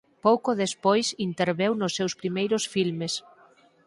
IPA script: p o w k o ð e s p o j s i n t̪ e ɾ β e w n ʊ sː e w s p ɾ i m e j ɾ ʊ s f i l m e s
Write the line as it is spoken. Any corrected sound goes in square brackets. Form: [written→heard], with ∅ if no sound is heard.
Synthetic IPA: p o w k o ð e s p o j s i n t̪ e ɾ β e w n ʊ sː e w s p ɾ i m e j ɾ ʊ s f i l m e s